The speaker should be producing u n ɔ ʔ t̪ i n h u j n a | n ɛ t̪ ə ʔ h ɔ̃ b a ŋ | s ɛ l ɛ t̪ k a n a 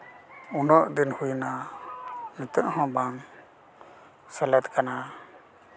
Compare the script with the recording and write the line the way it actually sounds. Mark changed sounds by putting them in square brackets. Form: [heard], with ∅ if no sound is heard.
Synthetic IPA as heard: u n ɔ ʔ [d̪] i n h u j n a | n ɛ t̪ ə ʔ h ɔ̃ b a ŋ | s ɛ l ɛ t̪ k a n a